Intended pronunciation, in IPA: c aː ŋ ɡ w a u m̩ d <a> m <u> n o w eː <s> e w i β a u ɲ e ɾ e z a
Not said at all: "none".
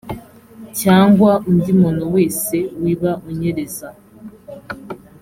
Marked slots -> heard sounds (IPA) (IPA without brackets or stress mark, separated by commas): i, o, s